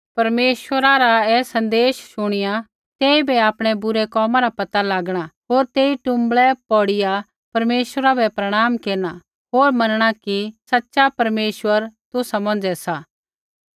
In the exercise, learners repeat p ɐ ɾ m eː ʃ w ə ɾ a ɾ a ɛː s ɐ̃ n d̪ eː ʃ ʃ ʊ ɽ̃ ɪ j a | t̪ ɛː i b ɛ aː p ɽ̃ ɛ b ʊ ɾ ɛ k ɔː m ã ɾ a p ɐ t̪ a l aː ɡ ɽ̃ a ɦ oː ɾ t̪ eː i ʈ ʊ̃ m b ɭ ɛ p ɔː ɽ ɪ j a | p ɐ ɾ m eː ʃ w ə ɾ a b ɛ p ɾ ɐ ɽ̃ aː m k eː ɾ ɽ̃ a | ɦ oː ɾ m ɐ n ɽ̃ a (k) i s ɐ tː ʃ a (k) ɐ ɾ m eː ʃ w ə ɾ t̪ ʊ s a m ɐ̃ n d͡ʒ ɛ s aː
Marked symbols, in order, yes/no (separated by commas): yes, no